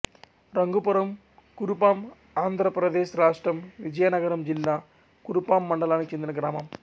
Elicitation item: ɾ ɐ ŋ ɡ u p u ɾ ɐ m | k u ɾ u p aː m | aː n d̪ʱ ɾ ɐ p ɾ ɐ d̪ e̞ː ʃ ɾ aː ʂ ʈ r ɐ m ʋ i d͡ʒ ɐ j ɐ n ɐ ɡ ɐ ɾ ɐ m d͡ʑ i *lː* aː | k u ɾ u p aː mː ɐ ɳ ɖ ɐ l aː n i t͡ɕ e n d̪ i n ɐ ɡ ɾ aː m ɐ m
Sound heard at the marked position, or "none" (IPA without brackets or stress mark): lː